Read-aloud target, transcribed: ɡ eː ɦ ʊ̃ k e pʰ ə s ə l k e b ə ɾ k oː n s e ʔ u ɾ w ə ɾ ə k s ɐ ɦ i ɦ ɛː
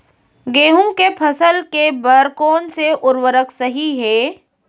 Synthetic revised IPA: ɡ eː ɦ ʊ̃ k e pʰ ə s ə l k e b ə ɾ k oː n s e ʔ ʊ ɾ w ə ɾ ə k s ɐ ɦ i ɦ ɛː